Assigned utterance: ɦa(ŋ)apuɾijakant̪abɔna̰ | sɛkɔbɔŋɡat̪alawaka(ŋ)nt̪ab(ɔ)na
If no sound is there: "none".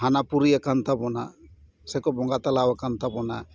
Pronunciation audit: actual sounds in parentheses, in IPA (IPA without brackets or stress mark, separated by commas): n, none, ɔ